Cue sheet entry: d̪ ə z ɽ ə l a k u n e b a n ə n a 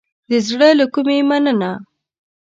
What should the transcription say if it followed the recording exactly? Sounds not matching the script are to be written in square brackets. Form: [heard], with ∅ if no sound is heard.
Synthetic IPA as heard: d̪ ə z ɽ ə l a k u [m] e [m] a n ə n a

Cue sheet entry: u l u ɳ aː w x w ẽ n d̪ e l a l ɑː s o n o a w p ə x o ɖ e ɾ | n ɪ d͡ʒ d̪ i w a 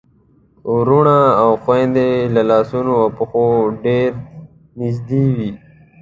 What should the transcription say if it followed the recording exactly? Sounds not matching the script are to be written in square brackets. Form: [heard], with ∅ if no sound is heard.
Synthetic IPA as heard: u [ɾ] u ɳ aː w x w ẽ n d̪ e l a l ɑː s [u] n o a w p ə x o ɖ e ɾ | n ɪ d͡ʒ d̪ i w [i]

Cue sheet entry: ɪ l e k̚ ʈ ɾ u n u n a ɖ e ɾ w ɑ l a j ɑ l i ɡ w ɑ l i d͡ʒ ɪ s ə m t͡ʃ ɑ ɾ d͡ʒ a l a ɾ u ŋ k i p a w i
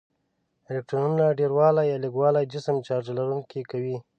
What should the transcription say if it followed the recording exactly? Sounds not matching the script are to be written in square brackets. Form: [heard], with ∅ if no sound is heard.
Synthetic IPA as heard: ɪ l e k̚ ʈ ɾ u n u n a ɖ e ɾ w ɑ l a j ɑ l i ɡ w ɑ l [a] d͡ʒ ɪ s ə m t͡ʃ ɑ ɾ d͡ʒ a l a ɾ u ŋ k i [k] a w i

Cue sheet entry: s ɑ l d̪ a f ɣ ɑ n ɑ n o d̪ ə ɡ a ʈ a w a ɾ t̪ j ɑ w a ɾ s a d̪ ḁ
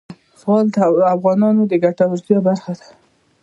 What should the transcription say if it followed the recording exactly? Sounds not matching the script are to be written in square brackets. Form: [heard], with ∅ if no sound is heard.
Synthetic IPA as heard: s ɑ l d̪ a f ɣ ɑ n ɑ n o d̪ ə ɡ a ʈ a w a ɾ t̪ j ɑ [b] a ɾ [x] a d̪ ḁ

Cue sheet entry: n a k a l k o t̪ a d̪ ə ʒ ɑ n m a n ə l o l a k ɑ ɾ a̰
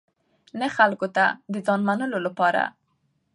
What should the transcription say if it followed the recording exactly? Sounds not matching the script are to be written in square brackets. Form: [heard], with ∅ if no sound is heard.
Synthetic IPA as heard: n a [x] a l k o t̪ a d̪ ə [z] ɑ n m a n ə l o l a [p] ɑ ɾ a̰

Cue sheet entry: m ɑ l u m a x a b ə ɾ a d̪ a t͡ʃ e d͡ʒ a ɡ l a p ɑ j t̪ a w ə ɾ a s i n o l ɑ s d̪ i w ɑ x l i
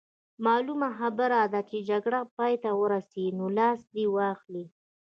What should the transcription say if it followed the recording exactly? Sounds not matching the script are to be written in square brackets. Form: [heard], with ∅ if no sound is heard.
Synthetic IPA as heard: m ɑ l u m a x a b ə ɾ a d̪ a t͡ʃ e d͡ʒ a ɡ [ɽ] a p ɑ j t̪ a w ə ɾ a s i n o l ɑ s d̪ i w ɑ x l i

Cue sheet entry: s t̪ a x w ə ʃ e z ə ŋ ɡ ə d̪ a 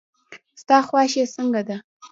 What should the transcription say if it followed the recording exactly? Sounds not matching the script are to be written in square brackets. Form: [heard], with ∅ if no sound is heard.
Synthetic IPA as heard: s t̪ [ɑ] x w [ɑ] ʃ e [s] ə ŋ ɡ [a] d̪ a

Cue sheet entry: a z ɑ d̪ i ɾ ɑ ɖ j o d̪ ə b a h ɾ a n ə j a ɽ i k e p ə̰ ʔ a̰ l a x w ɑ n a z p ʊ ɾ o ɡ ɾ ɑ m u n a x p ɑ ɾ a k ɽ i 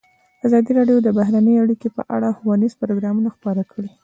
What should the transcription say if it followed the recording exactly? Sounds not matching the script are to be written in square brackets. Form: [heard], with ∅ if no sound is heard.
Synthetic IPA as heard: a z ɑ d̪ i ɾ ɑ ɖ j o d̪ ə b a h ɾ a n ə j a ɽ i k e p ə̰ ʔ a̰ [ɽ] a x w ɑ n [i] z p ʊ ɾ o ɡ ɾ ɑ m u n a x p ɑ ɾ a k ɽ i

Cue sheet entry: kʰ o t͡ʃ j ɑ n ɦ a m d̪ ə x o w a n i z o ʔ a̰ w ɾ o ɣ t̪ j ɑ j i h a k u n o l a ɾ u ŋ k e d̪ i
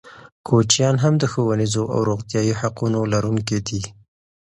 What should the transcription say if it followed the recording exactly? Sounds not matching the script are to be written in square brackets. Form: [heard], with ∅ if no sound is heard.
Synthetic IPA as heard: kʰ o t͡ʃ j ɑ n ɦ a m d̪ ə x o w a n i z o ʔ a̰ w ɾ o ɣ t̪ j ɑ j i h a [q] u n o l a ɾ u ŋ k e d̪ i

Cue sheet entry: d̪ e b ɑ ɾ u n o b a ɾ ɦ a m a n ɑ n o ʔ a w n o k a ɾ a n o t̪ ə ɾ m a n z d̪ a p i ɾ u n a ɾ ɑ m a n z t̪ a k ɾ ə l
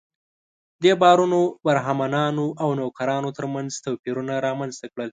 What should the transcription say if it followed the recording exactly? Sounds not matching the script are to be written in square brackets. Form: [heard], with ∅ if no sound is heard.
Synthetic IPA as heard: d̪ e b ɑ ɾ u n o b a ɾ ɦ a m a n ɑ n o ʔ a w n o k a ɾ [ɑ] n o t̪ ə ɾ m a n z [t̪] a p i ɾ u n a ɾ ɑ m a n z t̪ a k [ɽ] ə l

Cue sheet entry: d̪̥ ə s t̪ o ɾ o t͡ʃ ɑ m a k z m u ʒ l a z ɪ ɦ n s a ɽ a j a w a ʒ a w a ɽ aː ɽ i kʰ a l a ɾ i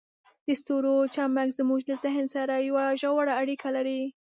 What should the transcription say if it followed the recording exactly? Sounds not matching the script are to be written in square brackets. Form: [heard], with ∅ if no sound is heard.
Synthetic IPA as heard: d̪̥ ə s t̪ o ɾ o t͡ʃ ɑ m a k z m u ʒ l a z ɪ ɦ n s a [ɾ] a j a w a ʒ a w a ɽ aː ɽ i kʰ a l a ɾ i

